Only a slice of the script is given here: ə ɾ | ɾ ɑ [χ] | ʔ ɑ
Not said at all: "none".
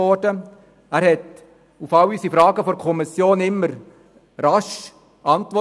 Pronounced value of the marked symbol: ʃ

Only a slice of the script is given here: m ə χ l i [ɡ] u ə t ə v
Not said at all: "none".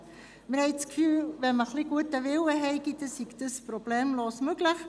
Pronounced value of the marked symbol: ɡ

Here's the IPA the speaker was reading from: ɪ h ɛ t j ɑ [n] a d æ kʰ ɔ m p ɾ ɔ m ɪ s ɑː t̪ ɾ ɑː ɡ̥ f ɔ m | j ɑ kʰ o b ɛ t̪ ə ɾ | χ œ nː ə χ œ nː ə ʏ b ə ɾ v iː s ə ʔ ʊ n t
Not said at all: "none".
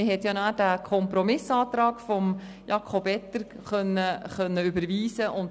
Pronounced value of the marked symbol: n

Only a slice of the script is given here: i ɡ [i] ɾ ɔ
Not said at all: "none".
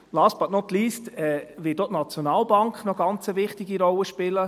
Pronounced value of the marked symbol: i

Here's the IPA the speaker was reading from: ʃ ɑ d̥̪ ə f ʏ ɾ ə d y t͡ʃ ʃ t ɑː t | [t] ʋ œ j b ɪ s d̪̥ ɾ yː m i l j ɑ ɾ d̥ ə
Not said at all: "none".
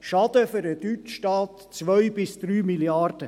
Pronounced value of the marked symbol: t͡s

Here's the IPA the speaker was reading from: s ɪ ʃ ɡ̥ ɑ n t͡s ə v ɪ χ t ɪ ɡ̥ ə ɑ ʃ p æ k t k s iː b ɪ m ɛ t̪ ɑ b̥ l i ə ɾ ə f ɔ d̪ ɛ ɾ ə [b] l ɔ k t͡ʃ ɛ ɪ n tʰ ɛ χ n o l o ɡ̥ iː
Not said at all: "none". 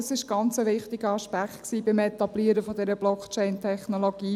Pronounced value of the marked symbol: b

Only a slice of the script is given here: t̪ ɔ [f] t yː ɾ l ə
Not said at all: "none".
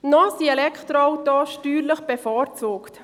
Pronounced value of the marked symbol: ʃ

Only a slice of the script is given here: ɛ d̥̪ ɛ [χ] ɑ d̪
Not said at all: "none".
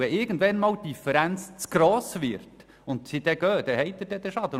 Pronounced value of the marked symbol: ʃ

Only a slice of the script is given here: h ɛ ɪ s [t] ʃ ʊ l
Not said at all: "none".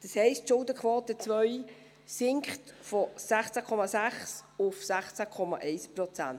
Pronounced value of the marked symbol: t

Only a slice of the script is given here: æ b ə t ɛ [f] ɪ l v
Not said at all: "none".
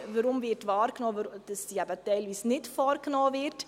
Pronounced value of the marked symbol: none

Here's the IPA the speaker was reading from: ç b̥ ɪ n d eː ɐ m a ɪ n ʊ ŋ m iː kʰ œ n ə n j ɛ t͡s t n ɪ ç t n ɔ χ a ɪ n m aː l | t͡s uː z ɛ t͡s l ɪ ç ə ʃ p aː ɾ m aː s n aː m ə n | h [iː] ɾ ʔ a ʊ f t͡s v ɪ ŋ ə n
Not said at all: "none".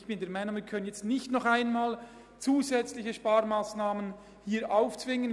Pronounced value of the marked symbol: iː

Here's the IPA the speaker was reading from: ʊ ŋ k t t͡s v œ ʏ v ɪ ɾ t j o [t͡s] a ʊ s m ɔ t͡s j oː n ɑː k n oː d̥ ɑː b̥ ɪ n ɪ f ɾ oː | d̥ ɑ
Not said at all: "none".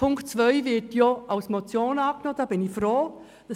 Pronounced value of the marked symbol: none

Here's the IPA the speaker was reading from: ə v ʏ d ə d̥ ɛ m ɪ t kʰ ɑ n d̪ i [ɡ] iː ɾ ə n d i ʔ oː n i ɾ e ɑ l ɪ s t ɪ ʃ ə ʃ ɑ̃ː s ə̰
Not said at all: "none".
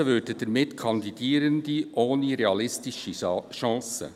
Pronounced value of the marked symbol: d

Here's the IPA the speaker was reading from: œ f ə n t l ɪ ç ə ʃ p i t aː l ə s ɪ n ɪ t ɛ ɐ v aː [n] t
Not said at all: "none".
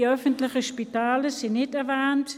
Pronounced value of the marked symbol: n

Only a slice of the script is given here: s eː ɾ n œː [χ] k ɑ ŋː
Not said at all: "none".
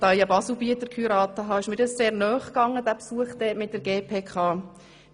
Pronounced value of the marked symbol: χ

